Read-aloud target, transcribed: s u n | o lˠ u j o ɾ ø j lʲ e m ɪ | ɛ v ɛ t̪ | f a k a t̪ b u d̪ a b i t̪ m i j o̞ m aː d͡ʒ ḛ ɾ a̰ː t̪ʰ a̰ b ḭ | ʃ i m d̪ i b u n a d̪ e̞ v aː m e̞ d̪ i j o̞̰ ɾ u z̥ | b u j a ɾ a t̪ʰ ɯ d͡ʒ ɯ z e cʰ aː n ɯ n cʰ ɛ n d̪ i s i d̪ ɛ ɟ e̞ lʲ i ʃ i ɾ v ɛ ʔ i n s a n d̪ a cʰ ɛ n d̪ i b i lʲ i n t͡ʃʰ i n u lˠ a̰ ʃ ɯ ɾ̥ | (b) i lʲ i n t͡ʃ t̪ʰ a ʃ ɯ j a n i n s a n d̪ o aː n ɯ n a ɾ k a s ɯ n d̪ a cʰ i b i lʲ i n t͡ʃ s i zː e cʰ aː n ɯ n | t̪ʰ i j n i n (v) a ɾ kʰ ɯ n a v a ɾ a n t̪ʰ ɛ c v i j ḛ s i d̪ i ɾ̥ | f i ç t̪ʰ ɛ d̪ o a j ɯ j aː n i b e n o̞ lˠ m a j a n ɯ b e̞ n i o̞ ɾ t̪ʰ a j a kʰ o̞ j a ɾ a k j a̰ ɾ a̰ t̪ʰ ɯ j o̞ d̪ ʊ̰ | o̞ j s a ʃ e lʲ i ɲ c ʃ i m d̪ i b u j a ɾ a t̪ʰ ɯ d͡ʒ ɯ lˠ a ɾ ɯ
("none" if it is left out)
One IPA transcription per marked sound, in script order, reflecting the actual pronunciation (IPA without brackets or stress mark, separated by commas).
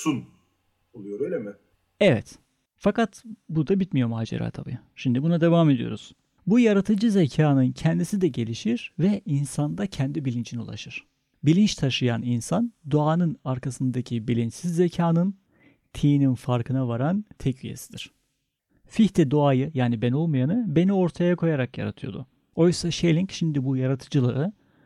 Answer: b, f